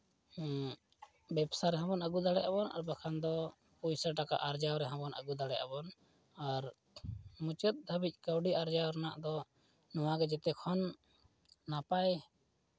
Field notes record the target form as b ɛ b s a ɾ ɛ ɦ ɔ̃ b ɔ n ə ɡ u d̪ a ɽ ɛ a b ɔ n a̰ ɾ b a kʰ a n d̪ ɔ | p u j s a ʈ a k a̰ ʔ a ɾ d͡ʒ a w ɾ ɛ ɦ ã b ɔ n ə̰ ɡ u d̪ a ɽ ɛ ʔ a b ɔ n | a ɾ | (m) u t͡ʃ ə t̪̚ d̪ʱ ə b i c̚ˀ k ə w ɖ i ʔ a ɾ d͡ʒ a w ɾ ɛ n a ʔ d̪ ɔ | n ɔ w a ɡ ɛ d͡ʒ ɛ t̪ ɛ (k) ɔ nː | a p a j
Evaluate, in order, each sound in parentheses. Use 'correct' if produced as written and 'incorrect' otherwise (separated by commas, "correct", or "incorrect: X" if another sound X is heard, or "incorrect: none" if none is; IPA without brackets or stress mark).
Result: correct, incorrect: kʰ